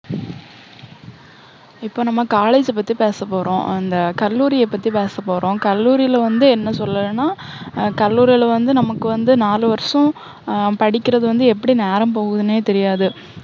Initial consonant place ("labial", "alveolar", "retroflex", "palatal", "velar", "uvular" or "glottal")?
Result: labial